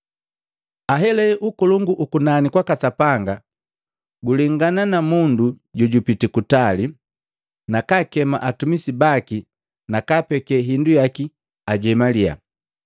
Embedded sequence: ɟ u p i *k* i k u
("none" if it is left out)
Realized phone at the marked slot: t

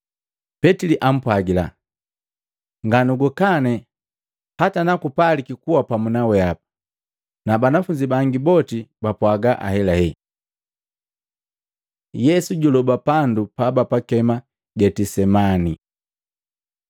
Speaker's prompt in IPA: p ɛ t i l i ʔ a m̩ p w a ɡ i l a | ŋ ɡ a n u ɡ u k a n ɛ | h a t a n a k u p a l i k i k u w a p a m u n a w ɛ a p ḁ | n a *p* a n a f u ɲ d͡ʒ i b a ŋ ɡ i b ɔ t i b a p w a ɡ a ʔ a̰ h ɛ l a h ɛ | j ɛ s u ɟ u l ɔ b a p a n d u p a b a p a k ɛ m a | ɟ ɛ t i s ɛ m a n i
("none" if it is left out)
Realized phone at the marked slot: b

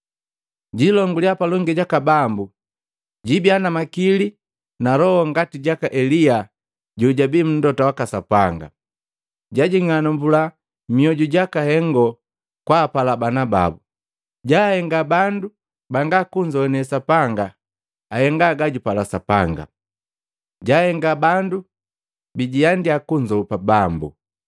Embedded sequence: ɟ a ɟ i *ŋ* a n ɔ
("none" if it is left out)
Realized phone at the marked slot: ŋ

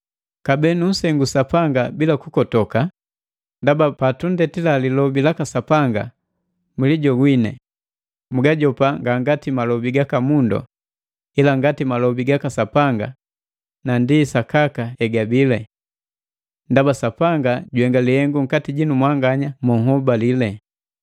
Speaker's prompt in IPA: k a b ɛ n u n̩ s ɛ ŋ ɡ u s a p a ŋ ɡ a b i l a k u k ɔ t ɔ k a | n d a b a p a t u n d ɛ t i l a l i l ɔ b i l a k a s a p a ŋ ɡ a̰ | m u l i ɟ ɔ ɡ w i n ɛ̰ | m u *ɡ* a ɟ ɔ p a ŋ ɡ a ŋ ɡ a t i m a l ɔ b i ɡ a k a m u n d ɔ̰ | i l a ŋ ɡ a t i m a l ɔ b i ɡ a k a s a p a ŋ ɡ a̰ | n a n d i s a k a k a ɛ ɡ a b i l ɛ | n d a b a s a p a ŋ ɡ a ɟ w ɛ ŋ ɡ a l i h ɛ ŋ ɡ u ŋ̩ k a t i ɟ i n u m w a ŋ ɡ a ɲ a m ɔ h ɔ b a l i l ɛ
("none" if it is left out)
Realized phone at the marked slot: ɡ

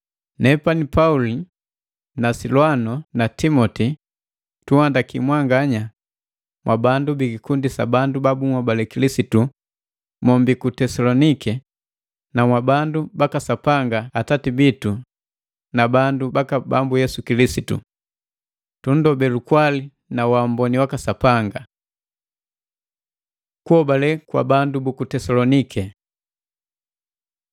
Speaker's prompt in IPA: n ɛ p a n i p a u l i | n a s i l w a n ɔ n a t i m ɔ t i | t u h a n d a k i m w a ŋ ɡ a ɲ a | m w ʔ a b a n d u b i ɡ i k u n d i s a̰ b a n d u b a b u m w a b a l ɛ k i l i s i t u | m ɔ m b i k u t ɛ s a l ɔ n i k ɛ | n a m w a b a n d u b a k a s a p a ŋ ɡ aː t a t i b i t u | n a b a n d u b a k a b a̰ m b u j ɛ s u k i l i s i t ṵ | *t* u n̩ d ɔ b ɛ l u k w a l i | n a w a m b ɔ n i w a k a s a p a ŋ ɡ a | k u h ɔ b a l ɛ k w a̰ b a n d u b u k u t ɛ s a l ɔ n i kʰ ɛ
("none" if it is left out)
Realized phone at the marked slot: t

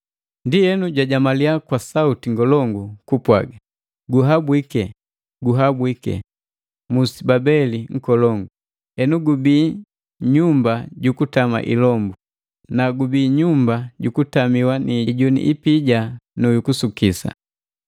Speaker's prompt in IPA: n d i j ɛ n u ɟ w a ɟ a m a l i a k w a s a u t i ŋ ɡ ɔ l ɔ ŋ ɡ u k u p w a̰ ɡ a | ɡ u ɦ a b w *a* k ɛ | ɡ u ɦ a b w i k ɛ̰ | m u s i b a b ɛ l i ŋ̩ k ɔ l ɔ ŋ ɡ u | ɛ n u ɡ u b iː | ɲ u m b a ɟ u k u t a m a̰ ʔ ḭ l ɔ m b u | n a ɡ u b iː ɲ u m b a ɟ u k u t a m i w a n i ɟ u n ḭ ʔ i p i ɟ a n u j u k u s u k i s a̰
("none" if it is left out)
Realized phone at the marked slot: i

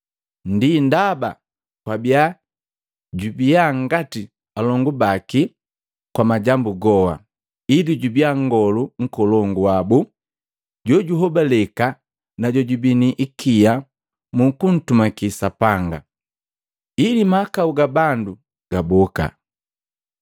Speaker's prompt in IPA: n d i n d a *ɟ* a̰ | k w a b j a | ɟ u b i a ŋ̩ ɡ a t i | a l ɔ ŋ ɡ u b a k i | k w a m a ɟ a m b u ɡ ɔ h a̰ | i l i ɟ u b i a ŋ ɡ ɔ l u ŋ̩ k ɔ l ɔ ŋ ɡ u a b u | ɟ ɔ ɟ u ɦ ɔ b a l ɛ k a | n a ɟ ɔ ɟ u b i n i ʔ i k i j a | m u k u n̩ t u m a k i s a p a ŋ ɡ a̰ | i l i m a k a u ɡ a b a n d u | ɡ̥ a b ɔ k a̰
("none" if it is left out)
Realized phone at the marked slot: b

